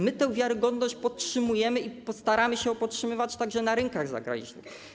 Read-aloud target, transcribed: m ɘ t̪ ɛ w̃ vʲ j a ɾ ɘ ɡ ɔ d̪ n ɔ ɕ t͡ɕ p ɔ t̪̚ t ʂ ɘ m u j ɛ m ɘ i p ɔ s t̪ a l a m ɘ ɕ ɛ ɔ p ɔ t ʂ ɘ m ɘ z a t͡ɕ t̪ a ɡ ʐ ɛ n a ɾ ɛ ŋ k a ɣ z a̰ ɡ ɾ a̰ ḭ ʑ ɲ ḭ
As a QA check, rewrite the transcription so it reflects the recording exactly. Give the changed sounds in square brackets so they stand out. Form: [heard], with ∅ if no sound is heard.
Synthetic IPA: m ɘ t̪ ɛ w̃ vʲ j a ɾ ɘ ɡ ɔ d̪ n ɔ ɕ t͡ɕ p ɔ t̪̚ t ʂ ɘ m u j ɛ m ɘ i p ɔ s t̪ a [ɾ] a m ɘ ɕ ɛ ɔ p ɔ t ʂ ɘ m ɘ [v] a t͡ɕ t̪ a ɡ ʐ ɛ n a ɾ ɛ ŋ k a ɣ z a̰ ɡ ɾ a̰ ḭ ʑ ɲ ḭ